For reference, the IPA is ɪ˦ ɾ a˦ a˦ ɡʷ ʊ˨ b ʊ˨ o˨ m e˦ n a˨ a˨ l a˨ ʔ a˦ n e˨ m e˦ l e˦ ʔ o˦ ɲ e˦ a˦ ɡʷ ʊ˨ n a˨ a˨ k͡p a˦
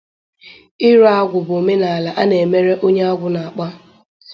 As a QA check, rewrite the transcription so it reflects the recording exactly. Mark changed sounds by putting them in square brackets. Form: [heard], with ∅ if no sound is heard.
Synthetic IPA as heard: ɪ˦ ɾ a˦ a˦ ɡʷ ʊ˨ b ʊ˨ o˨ m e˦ n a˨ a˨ l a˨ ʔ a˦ n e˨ m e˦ [ɾ] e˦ ʔ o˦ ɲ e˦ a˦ ɡʷ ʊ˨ n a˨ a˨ k͡p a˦